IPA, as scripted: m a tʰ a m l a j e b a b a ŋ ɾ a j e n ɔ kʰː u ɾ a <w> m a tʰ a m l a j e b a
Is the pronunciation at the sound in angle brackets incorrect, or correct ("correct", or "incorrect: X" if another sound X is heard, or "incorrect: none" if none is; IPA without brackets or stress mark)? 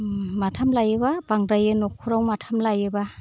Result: correct